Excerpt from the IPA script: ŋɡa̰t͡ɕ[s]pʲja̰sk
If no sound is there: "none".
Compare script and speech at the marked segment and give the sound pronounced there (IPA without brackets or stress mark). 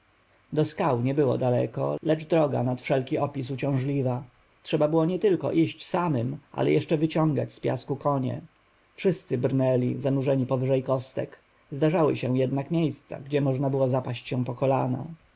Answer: s